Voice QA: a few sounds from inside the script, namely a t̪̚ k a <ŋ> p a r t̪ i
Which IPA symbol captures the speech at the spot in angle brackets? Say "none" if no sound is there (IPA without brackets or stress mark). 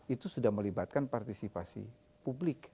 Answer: n